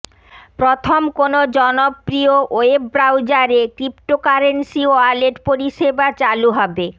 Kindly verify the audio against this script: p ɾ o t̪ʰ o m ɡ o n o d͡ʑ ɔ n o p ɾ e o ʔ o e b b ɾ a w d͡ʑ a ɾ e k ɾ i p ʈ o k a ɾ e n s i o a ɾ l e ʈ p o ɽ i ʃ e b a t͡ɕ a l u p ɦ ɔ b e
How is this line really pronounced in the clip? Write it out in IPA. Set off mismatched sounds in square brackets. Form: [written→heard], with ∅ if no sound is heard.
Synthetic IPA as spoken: p ɾ o t̪ʰ o m [ɡ→k] o n o d͡ʑ ɔ n o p ɾ [e→i] o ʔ o e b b ɾ a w d͡ʑ a ɾ e k ɾ i p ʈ o k a ɾ e n s i o a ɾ l e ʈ p o [ɽ→ɾ] i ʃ e b a t͡ɕ a l u [p→∅] ɦ ɔ b e